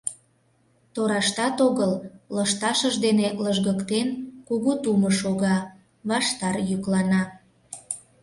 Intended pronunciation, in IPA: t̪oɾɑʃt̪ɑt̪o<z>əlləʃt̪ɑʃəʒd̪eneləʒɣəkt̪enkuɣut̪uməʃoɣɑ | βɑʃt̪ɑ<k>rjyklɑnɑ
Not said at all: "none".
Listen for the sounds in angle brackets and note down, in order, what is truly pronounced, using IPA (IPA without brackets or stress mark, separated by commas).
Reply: ɣ, none